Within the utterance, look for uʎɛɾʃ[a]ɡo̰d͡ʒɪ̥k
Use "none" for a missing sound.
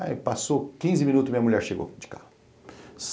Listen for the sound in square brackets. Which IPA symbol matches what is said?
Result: e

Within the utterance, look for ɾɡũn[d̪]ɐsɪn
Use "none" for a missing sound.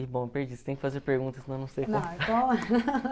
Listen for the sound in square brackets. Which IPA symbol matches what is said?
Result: t̪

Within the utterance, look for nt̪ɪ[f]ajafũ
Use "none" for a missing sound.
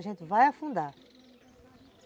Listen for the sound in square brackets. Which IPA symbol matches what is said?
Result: v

